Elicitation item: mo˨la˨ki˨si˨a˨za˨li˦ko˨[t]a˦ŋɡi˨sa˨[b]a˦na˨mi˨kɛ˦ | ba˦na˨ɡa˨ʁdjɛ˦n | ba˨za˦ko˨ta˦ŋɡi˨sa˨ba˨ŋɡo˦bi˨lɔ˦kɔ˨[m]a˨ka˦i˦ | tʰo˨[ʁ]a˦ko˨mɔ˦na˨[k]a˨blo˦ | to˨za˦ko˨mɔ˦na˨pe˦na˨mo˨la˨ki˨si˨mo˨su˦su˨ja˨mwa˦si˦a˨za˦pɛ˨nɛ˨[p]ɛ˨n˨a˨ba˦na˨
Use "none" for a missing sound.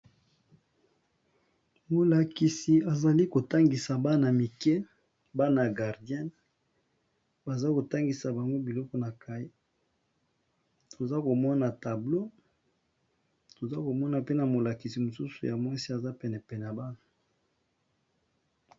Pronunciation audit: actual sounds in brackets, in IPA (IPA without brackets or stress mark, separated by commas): t, b, n, z, t, p